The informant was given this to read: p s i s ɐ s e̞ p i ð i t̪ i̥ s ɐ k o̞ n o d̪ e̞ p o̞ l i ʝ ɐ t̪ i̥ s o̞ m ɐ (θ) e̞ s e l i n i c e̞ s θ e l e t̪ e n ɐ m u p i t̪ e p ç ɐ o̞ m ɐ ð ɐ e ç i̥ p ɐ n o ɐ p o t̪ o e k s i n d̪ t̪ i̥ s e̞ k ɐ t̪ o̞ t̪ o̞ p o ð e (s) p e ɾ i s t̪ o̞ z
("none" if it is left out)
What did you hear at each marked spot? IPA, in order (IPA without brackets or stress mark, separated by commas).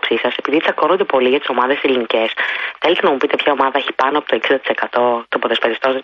ð, s